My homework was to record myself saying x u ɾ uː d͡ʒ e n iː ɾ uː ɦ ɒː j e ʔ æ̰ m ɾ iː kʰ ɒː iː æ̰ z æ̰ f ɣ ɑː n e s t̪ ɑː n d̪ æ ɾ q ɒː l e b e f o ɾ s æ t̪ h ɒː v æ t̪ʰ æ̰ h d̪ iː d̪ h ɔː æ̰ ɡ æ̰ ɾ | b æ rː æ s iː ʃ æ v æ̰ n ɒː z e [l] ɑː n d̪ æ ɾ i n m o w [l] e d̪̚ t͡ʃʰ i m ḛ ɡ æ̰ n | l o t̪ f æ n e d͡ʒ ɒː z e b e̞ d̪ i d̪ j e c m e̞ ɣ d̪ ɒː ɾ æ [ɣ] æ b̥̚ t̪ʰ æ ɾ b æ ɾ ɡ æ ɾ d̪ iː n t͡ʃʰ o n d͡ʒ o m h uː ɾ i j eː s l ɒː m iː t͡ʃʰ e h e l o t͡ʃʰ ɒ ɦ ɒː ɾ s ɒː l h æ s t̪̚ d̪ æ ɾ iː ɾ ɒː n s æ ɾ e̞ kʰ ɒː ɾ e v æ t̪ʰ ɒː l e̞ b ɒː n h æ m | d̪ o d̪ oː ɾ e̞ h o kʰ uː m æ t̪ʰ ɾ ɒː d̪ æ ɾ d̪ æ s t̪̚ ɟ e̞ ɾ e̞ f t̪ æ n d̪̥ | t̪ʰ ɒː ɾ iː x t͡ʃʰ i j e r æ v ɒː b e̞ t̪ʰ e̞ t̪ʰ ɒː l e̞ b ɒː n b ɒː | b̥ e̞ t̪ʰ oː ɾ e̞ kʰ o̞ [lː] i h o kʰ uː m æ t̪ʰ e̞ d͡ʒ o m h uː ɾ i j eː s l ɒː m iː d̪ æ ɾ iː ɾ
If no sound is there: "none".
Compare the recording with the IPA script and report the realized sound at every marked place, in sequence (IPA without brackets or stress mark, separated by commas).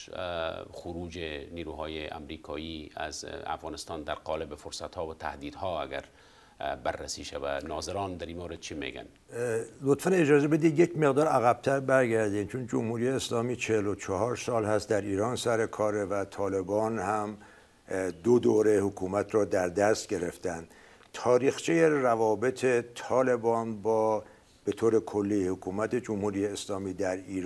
ɾ, ɾ, ɣ, lː